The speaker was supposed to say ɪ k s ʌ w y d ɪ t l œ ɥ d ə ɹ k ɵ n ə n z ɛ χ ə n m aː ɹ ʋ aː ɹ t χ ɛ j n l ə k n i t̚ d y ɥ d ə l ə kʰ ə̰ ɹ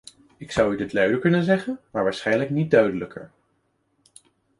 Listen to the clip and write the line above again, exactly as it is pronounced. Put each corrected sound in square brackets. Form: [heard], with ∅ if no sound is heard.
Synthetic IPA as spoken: ɪ k s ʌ w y d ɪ t l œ ɥ d ə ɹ k ɵ n ə n z ɛ χ ə n m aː ɹ ʋ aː ɹ [s] χ ɛ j n l ə k n i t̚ d [œ] ɥ d ə l ə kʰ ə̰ ɹ